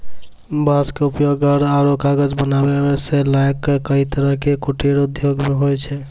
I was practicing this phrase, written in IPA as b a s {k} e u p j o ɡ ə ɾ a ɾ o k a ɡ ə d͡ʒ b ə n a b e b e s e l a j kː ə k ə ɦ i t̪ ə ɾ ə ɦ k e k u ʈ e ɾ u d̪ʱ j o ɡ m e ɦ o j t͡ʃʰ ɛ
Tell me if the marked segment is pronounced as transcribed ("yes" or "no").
yes